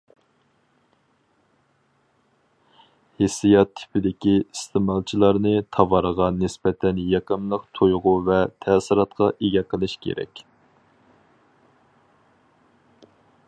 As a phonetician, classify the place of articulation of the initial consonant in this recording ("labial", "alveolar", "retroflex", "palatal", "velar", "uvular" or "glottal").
glottal